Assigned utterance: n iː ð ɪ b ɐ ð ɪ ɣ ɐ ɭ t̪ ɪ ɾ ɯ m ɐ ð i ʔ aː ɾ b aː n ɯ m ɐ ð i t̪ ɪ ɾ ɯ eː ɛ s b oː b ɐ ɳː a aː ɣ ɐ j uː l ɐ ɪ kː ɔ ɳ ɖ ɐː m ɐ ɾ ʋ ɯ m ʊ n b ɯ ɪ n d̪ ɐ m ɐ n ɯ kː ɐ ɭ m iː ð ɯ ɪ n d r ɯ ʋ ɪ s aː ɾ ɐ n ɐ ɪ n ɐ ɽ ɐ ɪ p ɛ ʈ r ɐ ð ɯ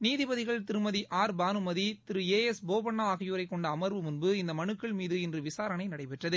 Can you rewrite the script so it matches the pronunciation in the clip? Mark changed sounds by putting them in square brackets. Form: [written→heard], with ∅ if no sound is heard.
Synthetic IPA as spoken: n iː ð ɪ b ɐ ð ɪ ɣ ɐ ɭ t̪ ɪ ɾ ɯ m ɐ ð i ʔ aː ɾ b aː n ɯ m ɐ ð i t̪ ɪ ɾ ɯ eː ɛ s b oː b ɐ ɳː a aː ɣ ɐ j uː [l→ɾ] ɐ ɪ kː ɔ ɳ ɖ ɐː m ɐ ɾ ʋ ɯ m ʊ n b ɯ ɪ n d̪ ɐ m ɐ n ɯ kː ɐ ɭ m iː ð ɯ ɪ n d r ɯ ʋ ɪ s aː ɾ ɐ n ɐ ɪ n ɐ ɽ ɐ ɪ p ɛ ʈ r ɐ ð ɯ

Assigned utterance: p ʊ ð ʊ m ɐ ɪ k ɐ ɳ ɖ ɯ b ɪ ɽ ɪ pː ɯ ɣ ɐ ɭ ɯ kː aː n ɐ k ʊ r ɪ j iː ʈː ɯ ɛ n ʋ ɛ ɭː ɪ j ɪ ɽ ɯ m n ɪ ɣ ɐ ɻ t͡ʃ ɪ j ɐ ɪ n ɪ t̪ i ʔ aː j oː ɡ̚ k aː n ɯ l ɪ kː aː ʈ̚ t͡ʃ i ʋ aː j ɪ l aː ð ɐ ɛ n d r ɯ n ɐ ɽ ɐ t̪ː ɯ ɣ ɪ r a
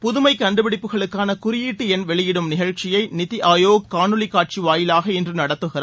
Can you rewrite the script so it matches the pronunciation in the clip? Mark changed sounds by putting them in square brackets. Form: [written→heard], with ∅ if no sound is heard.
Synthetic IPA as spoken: p ʊ ð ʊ m ɐ ɪ k ɐ ɳ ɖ ɯ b ɪ ɽ ɪ pː ɯ ɣ ɐ ɭ ɯ kː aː n ɐ k ʊ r ɪ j iː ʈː ɯ ɛ n ʋ ɛ [ɭː→ɭ] ɪ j ɪ ɽ ɯ m n ɪ ɣ ɐ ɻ t͡ʃ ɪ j ɐ ɪ n ɪ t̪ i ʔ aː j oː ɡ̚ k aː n ɯ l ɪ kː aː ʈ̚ t͡ʃ i ʋ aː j ɪ l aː [ð→ɣ] ɐ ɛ n d r ɯ n ɐ ɽ ɐ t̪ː ɯ ɣ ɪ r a

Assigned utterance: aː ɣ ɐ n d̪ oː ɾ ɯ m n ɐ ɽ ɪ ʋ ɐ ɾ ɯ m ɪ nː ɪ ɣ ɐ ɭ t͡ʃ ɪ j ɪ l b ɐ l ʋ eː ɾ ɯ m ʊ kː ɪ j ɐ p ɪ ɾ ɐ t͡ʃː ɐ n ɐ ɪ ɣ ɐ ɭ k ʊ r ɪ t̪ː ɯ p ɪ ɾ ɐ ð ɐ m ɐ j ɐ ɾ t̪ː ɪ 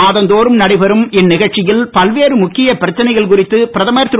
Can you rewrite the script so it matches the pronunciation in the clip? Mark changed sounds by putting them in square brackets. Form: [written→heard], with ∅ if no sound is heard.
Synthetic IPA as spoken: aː [ɣ→ð] ɐ n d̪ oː ɾ ɯ m n ɐ ɽ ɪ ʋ ɐ ɾ ɯ m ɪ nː ɪ ɣ ɐ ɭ t͡ʃ ɪ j ɪ l [b→p] ɐ l ʋ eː ɾ ɯ m ʊ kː ɪ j ɐ p ɪ ɾ ɐ t͡ʃː ɐ n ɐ ɪ ɣ ɐ ɭ k ʊ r ɪ t̪ː ɯ p ɪ ɾ ɐ ð ɐ m ɐ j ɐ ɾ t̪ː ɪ

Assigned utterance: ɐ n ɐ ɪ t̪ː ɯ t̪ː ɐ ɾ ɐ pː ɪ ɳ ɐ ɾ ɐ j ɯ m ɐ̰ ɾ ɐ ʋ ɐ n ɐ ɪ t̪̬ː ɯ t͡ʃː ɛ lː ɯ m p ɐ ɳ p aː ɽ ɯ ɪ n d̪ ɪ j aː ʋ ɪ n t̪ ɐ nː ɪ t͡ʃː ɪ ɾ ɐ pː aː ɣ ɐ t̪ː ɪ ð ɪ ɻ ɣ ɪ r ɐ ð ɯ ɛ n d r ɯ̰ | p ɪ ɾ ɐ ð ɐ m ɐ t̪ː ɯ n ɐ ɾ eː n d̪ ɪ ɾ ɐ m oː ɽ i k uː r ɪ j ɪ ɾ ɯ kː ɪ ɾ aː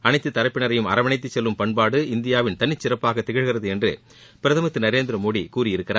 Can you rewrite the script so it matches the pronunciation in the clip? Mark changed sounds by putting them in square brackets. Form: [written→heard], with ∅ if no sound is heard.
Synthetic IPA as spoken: ɐ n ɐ ɪ t̪ː ɯ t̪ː ɐ ɾ ɐ pː ɪ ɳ ɐ ɾ ɐ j ɯ m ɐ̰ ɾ ɐ ʋ ɐ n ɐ ɪ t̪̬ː ɯ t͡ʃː ɛ lː ɯ m p ɐ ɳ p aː ɽ ɯ ɪ n d̪ ɪ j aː ʋ ɪ n t̪ ɐ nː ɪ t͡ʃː ɪ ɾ ɐ pː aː ɣ ɐ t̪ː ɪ [ð→ɣ] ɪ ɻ ɣ ɪ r ɐ ð ɯ ɛ n d r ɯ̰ | p ɪ ɾ ɐ ð ɐ m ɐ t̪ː ɯ n ɐ ɾ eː n d̪ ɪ ɾ ɐ m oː ɽ i k uː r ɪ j ɪ ɾ ɯ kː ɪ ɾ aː

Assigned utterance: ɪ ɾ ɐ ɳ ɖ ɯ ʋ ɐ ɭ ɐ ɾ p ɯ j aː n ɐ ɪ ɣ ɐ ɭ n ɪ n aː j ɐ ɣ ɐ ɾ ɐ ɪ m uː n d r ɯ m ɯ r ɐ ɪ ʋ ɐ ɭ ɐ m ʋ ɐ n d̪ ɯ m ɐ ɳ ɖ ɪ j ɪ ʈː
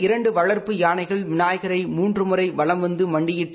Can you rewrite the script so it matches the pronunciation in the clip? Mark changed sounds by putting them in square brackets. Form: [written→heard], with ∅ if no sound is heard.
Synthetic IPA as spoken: ɪ ɾ ɐ ɳ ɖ ɯ ʋ ɐ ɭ ɐ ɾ p ɯ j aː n ɐ ɪ ɣ ɐ ɭ [n→m] ɪ n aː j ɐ ɣ ɐ ɾ ɐ ɪ m uː n d r ɯ m ɯ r ɐ ɪ ʋ ɐ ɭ ɐ m ʋ ɐ n d̪ ɯ m ɐ ɳ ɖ ɪ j ɪ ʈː

